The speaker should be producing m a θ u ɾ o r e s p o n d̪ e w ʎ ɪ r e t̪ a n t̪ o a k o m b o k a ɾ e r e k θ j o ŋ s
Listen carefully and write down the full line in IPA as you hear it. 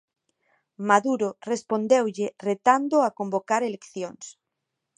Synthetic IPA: m a ð u ɾ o r e s p o n d̪ e w ʎ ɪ r e t̪ a n d̪ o a k o m b o k a ɾ e l e k θ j o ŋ s